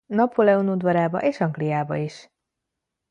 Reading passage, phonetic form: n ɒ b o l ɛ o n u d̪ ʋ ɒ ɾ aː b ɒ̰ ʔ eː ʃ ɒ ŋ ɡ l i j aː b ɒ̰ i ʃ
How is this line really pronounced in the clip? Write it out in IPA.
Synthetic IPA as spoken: n ɒ p o l ɛ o n u d̪ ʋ ɒ ɾ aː b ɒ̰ ʔ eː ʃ ɒ ŋ ɡ l i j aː b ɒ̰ i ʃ